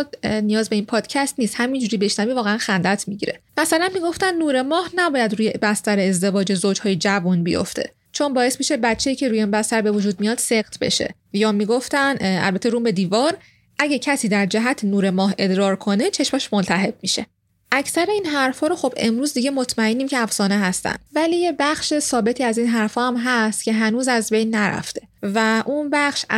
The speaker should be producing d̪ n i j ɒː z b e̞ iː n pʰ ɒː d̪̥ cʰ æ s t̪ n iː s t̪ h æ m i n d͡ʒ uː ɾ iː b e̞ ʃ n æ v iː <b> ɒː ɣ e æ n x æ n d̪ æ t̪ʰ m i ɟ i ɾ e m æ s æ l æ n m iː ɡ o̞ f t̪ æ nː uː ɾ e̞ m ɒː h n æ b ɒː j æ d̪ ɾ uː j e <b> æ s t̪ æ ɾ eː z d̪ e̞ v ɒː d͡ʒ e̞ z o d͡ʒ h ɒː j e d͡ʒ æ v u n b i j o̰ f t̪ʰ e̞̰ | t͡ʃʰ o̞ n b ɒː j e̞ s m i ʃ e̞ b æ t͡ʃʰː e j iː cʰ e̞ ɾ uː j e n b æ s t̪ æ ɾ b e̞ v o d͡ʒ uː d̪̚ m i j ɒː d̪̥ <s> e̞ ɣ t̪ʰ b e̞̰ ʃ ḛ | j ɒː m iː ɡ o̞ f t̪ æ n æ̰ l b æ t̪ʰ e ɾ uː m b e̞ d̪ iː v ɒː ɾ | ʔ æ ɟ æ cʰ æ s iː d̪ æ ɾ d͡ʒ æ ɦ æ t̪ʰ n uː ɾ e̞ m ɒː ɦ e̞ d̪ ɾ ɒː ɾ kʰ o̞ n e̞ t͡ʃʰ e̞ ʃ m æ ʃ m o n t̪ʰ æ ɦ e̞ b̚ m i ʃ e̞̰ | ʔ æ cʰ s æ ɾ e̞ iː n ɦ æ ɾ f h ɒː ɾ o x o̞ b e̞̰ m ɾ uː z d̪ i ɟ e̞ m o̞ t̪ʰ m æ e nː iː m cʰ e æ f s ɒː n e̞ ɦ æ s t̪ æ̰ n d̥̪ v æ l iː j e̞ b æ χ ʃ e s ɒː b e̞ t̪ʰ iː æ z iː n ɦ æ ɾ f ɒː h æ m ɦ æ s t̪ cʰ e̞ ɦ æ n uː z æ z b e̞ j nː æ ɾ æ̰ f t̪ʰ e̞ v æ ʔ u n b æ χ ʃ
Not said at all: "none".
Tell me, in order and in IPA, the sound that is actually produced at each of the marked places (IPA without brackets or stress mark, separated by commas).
v, b, s